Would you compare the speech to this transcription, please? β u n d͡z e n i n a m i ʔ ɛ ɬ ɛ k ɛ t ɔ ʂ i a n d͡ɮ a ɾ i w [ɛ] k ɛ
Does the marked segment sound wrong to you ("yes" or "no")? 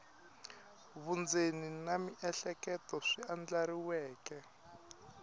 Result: yes